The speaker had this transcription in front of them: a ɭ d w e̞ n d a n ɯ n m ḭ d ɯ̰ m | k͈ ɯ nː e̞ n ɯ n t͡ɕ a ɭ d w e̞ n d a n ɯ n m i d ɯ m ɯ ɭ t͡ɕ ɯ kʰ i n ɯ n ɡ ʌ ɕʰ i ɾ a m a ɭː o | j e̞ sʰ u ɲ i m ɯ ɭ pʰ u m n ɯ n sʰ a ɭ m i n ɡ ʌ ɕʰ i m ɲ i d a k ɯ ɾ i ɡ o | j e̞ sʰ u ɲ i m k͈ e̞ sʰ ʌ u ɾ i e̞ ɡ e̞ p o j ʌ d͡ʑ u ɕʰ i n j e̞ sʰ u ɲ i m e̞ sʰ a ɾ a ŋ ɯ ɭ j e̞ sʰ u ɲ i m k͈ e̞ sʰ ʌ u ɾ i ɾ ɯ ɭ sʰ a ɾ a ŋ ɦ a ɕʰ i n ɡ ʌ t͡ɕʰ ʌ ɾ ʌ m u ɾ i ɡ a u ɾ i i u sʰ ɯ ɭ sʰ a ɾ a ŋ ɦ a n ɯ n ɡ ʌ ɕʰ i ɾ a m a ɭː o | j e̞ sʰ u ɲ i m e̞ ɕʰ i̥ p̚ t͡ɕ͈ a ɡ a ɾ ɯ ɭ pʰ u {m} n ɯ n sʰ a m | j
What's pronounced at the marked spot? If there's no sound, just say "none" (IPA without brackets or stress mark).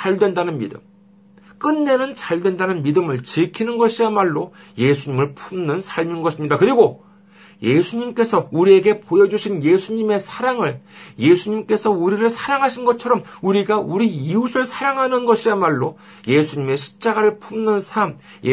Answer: m